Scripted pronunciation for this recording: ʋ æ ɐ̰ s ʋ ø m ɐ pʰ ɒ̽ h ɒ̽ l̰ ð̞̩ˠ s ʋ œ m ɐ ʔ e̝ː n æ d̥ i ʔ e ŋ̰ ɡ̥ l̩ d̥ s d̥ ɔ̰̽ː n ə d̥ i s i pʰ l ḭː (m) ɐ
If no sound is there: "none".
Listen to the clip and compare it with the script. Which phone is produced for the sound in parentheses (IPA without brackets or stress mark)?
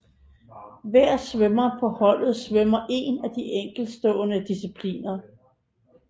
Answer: n